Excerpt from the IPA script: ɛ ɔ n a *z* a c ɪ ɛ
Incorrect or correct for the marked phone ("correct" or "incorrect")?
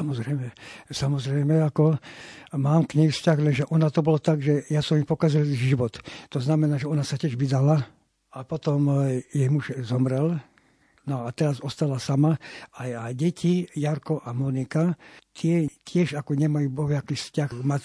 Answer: incorrect